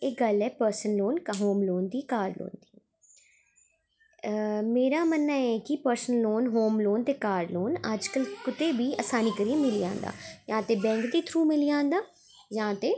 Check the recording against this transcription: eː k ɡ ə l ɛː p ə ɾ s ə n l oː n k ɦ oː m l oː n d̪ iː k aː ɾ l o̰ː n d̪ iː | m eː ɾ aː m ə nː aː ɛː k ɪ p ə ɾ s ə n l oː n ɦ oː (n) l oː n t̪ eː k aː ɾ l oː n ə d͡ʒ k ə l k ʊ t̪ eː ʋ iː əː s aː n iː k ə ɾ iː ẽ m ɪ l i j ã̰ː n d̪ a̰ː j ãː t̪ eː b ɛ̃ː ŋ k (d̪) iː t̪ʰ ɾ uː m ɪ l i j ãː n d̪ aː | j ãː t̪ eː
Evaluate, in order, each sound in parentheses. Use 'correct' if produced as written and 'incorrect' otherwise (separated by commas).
incorrect, correct